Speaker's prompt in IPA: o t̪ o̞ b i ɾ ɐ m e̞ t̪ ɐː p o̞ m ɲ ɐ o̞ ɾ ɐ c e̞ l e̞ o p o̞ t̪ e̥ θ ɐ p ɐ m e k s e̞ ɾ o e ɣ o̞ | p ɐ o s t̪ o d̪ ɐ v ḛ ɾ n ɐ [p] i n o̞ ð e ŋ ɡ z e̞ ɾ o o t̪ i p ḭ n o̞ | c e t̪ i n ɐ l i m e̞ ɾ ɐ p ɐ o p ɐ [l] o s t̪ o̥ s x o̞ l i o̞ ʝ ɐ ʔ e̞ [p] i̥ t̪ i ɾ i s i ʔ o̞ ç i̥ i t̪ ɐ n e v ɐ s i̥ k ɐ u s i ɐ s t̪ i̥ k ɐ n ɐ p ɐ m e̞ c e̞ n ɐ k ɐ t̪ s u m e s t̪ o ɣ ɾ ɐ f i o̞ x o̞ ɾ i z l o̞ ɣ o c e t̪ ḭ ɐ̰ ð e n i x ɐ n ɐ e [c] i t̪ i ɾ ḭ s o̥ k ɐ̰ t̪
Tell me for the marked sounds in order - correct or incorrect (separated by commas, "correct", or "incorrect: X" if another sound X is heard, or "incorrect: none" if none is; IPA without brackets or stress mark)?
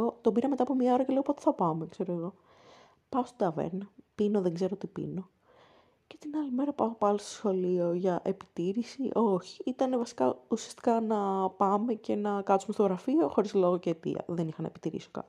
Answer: correct, correct, correct, incorrect: p